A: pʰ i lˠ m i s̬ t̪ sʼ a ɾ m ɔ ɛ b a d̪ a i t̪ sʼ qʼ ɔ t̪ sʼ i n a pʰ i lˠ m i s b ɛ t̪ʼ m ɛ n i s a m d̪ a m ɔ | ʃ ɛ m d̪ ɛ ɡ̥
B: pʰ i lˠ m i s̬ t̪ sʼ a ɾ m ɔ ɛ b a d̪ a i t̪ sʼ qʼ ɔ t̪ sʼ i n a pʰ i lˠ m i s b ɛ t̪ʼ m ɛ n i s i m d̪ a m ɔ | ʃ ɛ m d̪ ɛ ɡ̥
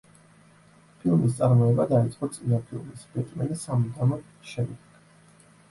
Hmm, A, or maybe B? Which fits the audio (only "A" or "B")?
A